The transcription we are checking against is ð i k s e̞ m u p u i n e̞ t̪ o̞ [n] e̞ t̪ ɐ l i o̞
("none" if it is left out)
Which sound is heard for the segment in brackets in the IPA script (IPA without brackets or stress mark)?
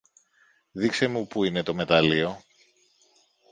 m